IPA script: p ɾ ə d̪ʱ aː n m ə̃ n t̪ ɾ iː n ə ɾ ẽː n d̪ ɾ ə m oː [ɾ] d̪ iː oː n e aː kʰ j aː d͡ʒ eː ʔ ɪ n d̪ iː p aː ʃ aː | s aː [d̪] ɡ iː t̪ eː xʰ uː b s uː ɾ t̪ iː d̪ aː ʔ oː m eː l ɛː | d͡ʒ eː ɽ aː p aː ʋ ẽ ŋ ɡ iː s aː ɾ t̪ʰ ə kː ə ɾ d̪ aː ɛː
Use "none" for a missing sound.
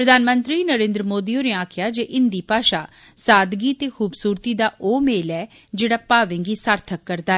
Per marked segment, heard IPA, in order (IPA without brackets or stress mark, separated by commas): none, d̪